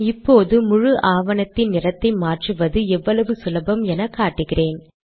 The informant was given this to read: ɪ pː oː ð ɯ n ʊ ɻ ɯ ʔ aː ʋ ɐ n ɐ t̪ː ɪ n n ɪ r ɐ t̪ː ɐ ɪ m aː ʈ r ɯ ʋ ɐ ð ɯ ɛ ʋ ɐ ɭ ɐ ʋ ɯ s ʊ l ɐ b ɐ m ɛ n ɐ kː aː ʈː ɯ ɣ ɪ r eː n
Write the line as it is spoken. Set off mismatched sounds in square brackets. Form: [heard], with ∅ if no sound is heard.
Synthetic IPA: ɪ pː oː ð ɯ [m] ʊ ɻ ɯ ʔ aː ʋ ɐ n ɐ t̪ː ɪ n n ɪ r ɐ t̪ː ɐ ɪ m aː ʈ r ɯ ʋ ɐ ð ɯ ɛ [ʋː] ɐ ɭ ɐ ʋ ɯ s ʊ l ɐ b ɐ m ɛ n ɐ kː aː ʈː ɯ ɣ ɪ r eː n